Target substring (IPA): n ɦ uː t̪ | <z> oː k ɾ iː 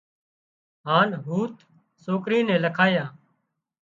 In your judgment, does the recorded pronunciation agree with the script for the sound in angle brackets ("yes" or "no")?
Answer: no